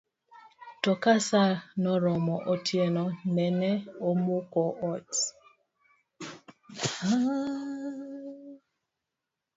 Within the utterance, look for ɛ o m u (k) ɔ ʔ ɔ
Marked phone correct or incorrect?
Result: correct